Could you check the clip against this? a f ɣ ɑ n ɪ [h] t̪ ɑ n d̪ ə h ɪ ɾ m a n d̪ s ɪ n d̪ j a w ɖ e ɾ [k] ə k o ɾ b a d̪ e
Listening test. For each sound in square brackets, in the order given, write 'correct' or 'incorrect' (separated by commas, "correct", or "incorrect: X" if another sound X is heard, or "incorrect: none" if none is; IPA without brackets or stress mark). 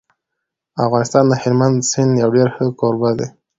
incorrect: s, incorrect: x